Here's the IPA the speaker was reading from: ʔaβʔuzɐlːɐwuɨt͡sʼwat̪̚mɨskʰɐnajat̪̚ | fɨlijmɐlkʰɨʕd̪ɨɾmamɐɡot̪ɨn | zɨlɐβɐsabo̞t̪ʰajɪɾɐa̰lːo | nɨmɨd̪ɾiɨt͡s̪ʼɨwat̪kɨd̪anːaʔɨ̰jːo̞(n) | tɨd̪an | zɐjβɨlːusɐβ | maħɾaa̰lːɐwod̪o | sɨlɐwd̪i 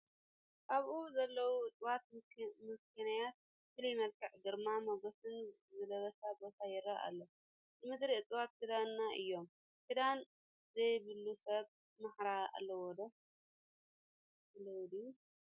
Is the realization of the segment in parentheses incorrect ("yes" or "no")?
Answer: yes